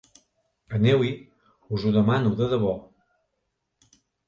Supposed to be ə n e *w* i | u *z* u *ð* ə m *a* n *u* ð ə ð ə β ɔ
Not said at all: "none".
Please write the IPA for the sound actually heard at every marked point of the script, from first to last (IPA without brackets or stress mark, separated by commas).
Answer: w, z, ð, a, u